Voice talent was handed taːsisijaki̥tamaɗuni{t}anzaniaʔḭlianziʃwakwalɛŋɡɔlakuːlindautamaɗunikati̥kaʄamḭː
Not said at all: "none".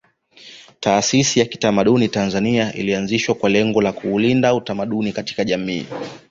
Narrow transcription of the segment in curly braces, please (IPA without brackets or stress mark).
t